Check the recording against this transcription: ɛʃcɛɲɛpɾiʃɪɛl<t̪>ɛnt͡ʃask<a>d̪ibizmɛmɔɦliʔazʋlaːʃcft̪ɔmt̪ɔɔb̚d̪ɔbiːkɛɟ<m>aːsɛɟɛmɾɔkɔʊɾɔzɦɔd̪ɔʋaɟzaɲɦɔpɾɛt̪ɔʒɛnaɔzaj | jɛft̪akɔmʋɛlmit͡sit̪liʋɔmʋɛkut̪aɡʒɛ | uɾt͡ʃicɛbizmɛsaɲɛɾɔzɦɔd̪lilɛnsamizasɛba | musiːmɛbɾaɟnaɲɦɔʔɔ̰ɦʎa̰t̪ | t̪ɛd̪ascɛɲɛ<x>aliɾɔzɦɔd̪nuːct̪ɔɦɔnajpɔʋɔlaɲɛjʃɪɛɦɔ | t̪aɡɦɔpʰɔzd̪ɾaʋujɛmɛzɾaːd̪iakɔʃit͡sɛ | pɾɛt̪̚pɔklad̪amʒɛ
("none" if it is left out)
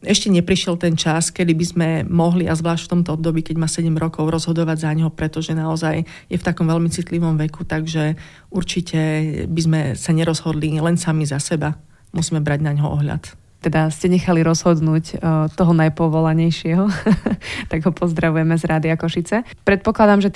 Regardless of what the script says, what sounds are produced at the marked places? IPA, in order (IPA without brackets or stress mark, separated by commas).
t̪, ɛ, m, x